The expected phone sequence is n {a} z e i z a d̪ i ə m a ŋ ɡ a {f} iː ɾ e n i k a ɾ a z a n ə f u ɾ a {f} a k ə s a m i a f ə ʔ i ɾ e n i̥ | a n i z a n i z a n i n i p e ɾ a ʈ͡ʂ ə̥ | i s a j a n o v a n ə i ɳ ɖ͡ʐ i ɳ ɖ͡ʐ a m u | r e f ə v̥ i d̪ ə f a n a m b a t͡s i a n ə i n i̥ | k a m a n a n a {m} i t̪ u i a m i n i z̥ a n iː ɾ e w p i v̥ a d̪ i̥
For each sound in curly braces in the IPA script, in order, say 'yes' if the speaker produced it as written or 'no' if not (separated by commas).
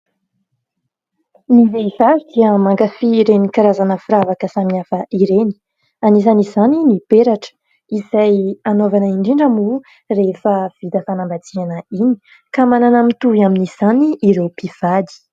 no, yes, no, yes